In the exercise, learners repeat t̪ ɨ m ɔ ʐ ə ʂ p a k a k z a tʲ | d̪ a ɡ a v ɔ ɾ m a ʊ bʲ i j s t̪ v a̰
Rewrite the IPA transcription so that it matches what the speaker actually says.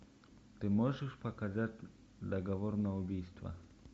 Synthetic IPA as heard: t̪ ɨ m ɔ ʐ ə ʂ p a k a z a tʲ | d̪ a ɡ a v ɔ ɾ n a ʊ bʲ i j s t̪ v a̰